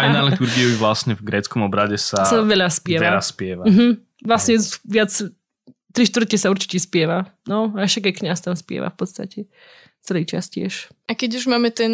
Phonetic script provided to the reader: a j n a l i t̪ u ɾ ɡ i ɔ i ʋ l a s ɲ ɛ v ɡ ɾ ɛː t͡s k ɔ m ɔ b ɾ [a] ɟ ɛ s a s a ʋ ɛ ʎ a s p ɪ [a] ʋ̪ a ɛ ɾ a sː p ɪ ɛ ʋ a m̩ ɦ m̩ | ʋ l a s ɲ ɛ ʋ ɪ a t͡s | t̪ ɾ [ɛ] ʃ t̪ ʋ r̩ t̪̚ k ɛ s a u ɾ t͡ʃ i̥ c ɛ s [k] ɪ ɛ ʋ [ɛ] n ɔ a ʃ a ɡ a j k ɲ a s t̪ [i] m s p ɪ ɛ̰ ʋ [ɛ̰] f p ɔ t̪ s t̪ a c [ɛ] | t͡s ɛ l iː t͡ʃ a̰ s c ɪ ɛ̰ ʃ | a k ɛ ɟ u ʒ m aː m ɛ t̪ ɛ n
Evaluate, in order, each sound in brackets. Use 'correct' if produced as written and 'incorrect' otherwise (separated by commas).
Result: correct, incorrect, incorrect, incorrect, incorrect, incorrect, incorrect, correct